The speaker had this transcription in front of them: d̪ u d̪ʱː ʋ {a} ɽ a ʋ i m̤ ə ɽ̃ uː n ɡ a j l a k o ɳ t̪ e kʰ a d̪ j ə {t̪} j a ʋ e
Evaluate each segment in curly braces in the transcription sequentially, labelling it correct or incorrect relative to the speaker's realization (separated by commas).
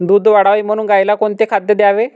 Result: correct, incorrect